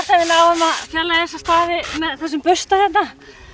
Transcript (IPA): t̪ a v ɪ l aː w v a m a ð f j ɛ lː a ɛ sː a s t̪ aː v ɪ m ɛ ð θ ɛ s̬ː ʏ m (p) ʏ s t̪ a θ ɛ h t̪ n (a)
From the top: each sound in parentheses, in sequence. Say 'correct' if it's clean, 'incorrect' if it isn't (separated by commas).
correct, correct